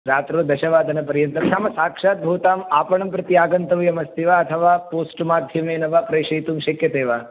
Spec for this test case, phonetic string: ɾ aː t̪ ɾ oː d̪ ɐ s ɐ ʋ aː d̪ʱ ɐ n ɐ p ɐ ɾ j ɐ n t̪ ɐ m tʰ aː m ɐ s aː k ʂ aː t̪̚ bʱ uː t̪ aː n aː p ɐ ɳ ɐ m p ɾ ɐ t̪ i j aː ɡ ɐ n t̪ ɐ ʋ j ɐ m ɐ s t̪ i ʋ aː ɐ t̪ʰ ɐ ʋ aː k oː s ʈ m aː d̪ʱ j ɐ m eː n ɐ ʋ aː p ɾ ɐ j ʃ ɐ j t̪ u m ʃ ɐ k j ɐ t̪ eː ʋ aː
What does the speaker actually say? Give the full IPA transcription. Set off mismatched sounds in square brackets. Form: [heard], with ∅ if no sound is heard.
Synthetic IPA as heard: ɾ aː t̪ ɾ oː d̪ ɐ [ʃ] ɐ ʋ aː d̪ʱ ɐ n ɐ p ɐ ɾ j ɐ n t̪ ɐ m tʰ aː m ɐ s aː k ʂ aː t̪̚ bʱ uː t̪ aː [m] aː p ɐ ɳ ɐ m p ɾ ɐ t̪ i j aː ɡ ɐ n t̪ ɐ ʋ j ɐ m ɐ s t̪ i ʋ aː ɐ t̪ʰ ɐ ʋ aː [p] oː s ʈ m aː d̪ʱ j ɐ m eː n ɐ ʋ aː p ɾ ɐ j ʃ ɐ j t̪ u m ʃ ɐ k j ɐ t̪ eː ʋ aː